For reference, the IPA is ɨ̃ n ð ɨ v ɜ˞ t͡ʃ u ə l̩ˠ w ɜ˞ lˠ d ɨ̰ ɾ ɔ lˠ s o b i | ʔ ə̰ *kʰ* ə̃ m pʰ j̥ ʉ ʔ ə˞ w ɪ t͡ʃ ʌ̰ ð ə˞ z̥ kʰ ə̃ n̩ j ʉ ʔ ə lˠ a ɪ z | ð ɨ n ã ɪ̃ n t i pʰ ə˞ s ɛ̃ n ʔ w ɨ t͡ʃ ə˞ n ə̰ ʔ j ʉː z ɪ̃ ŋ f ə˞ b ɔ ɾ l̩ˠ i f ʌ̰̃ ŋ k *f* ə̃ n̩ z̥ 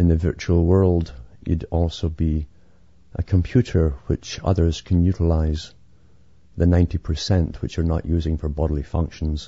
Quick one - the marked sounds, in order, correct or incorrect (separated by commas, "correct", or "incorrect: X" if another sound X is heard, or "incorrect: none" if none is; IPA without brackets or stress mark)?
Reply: correct, incorrect: ʃ